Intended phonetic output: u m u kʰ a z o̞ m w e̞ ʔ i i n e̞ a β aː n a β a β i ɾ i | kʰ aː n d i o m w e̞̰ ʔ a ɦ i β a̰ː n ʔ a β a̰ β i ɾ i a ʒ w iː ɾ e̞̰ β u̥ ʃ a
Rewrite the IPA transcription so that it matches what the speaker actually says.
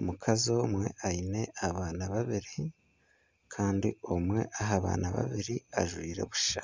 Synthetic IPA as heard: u m u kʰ a z o̞ m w e̞ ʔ a i n e̞ a β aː n a β a β i ɾ i | kʰ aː n d i o m w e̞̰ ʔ a ɦ a β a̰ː n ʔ a β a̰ β i ɾ i a ʒ w iː ɾ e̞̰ β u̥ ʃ a